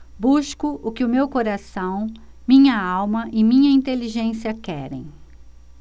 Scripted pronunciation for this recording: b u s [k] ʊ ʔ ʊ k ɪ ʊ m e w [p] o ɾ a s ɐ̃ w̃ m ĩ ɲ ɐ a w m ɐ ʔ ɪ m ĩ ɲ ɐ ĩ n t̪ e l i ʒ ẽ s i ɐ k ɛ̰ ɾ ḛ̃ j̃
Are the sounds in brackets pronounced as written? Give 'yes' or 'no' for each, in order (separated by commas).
yes, no